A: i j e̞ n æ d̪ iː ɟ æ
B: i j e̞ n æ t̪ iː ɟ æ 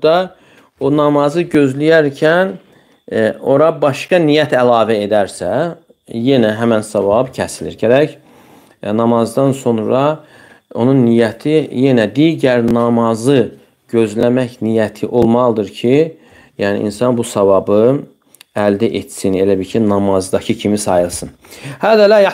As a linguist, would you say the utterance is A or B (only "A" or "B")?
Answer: A